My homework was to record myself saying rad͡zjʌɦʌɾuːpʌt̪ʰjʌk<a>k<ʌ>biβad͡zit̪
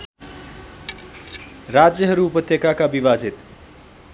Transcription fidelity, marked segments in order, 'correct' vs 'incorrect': correct, incorrect: a

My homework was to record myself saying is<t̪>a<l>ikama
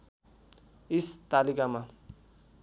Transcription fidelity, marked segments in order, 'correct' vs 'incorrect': correct, correct

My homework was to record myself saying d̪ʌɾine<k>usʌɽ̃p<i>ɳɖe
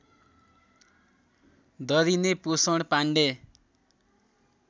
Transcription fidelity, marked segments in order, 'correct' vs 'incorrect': incorrect: p, incorrect: a

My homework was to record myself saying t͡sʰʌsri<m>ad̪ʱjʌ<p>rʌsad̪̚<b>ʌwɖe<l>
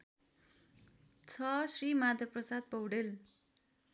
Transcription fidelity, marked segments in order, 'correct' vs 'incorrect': correct, correct, incorrect: p, correct

